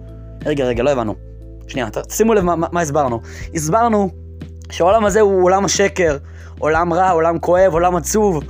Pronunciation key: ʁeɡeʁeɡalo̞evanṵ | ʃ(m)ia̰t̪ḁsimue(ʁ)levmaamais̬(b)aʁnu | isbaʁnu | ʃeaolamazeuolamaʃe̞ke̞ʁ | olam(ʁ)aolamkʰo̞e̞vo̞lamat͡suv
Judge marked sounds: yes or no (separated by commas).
no, no, yes, yes